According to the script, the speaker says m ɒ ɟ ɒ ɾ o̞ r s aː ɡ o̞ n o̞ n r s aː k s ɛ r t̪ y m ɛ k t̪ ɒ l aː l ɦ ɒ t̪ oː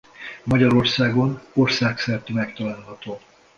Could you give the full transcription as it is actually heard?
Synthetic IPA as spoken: m ɒ ɟ ɒ ɾ o̞ r s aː ɡ o̞ n o̞ r s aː k s ɛ r t̪ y m ɛ k t̪ ɒ l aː l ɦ ɒ t̪ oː